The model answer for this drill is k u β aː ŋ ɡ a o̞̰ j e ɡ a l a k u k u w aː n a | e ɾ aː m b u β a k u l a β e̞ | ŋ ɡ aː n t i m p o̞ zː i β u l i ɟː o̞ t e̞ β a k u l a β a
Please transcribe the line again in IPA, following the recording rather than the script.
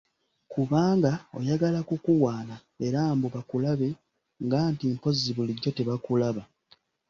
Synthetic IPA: k u β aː ŋ ɡ a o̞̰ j a ɡ a l a k u k u w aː n a | e ɾ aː m b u β a k u l a β e̞ | ŋ ɡ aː n t i m p o̞ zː i β u l i ɟː o̞ t e̞ β a k u l a β a